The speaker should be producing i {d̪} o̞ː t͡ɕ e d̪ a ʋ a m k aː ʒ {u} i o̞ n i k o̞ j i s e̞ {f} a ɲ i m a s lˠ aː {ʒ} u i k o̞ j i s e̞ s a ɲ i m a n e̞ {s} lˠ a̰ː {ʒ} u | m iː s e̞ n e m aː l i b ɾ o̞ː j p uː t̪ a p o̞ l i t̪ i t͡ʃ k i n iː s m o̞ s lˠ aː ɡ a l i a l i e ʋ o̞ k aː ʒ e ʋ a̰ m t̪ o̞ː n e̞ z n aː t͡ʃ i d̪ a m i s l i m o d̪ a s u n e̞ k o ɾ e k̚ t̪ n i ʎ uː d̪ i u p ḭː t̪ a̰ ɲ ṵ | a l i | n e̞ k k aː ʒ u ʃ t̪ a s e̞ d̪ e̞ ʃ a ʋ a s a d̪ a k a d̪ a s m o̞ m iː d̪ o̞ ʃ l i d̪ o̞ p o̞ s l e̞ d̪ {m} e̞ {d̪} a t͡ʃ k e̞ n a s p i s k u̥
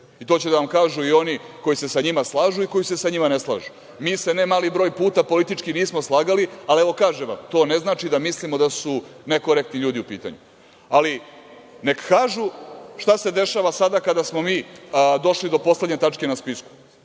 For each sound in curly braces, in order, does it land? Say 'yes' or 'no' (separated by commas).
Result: no, yes, no, yes, yes, yes, no, no